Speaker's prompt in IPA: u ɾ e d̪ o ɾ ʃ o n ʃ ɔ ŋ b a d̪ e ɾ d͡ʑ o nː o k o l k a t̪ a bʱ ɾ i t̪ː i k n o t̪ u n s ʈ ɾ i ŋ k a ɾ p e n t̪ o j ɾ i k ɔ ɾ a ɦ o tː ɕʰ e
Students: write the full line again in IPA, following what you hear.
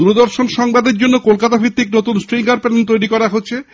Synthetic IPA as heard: u ɾ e d̪ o ɾ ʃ o n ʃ ɔ ŋ b a d̪ e ɾ d͡ʑ o nː o k o l k a t̪ a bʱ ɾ i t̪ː i k n o t̪ u n s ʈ ɾ i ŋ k a ɾ p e n t̪ o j ɾ i k ɔ ɾ a ɦ o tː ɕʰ e